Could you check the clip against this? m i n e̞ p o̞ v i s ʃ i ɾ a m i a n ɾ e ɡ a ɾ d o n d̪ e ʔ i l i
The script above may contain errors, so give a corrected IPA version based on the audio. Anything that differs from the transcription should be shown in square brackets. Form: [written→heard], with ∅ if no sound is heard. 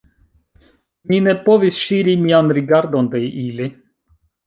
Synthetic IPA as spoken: m i n e̞ p o̞ v i s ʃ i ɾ [a→i] m i a n ɾ [e→i] ɡ a ɾ d o n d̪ e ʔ i l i

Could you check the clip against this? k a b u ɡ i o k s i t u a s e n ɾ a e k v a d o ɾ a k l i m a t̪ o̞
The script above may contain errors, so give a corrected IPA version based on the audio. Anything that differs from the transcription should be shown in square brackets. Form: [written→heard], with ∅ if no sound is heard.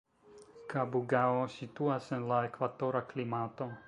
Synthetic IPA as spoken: k a b u ɡ [i→a] o [k→∅] s i t u a s e n [ɾ→l] a e k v a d o ɾ a k l i m a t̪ o̞

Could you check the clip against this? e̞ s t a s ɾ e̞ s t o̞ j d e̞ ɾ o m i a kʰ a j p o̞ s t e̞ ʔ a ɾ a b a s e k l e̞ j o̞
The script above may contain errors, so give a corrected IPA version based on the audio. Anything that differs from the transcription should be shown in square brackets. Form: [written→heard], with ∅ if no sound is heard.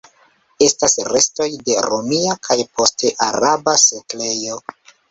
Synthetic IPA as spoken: e̞ s t a s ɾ e̞ s t o̞ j d e̞ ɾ o m i a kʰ a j p o̞ s t e̞ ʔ a ɾ a b a s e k l e̞ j o̞

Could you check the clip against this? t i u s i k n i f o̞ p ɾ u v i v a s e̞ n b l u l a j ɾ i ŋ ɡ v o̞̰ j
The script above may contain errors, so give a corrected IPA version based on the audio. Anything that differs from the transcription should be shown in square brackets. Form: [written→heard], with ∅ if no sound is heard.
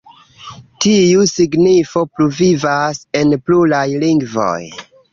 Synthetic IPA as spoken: t i u s i [k→ɡ] n i f o̞ p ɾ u v i v a s e̞ n [b→p] l u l a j [ɾ→l] i ŋ ɡ v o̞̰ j

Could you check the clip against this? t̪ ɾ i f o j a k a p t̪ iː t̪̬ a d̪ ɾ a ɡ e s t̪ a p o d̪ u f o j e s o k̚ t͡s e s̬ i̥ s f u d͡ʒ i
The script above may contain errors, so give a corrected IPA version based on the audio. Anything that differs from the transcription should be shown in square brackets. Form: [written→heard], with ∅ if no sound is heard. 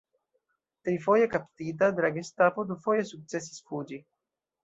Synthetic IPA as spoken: t̪ ɾ i f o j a k a p t̪ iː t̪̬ a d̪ ɾ a ɡ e s t̪ a p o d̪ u f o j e s [o→u] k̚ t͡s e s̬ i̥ s f u d͡ʒ i

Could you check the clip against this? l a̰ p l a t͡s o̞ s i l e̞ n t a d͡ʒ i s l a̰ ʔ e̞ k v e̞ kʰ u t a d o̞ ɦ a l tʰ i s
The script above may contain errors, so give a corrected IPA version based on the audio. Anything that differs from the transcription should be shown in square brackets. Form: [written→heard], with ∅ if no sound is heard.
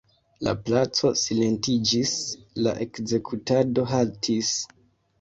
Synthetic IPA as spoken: l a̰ p l a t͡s o̞ s i l e̞ n t [a→i] d͡ʒ i s l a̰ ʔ e̞ k [v→z] e̞ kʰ u t a d o̞ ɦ a l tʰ i s

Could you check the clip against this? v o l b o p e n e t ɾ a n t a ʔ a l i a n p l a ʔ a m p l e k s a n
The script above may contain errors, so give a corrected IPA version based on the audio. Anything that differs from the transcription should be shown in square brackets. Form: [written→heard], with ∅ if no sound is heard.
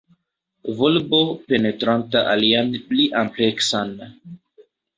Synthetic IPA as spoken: v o l b o p e n e t ɾ a n t a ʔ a l i a n p l [a→i] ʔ a m p l e k s a n

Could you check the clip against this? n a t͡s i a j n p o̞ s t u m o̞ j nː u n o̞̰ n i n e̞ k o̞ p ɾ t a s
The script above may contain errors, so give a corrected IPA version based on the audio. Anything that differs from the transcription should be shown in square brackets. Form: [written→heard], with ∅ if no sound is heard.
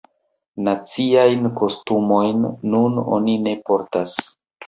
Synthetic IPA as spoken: n a t͡s i a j n [p→k] o̞ s t u m o̞ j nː u n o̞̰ n i n e̞ [k→p] o̞ [p→∅] ɾ t a s

